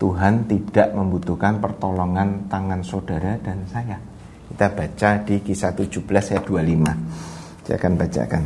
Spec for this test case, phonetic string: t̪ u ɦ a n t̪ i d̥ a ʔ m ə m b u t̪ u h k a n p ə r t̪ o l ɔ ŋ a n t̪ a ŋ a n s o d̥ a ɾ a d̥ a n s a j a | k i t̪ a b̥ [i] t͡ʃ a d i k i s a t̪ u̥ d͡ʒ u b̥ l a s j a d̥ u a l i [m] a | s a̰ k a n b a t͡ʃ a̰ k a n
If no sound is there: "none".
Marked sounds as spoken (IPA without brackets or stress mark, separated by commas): a, m